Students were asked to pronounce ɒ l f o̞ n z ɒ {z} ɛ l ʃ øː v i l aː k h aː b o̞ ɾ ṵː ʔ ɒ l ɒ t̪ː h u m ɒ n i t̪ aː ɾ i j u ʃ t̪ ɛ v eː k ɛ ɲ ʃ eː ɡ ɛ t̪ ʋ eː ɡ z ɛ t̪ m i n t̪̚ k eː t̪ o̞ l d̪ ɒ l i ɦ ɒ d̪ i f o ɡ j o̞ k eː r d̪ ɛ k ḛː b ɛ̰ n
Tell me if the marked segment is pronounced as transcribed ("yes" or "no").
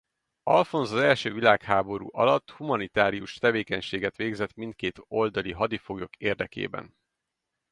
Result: yes